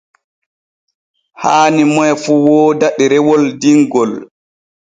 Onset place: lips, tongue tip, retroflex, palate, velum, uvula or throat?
throat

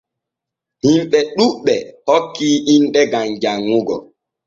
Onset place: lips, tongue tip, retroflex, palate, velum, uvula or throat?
throat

